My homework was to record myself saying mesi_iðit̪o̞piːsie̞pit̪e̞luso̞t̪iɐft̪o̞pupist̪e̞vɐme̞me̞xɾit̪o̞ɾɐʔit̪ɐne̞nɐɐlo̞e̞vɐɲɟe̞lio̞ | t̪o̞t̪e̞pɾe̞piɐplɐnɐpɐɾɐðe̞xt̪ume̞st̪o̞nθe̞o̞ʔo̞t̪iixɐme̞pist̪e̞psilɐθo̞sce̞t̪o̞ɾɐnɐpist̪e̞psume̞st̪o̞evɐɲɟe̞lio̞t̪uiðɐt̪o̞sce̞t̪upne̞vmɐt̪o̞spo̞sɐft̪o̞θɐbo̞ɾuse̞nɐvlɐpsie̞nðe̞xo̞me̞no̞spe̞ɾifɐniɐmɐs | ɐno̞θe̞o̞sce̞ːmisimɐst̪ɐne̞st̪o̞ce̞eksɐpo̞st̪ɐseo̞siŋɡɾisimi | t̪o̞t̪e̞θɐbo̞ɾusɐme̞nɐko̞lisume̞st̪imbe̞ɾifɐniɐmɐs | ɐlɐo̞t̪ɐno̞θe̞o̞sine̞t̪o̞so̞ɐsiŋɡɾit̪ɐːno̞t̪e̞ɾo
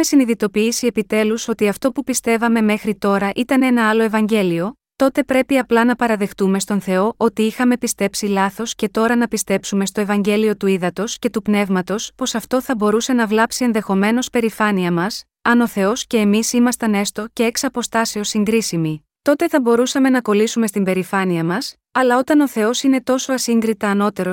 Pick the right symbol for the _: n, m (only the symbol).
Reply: n